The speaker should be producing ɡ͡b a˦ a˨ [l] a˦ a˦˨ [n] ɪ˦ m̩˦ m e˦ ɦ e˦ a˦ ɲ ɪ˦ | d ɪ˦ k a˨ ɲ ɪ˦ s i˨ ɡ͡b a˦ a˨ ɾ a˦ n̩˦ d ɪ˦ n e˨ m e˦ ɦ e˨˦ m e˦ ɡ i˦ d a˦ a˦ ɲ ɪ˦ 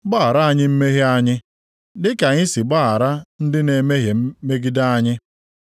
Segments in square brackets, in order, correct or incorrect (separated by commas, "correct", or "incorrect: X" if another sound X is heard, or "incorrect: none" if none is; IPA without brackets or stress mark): incorrect: ɾ, incorrect: ɲ